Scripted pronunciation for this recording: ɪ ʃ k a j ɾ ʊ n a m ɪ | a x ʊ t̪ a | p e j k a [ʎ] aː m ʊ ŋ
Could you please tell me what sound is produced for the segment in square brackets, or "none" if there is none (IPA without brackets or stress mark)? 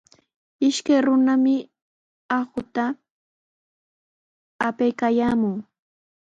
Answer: j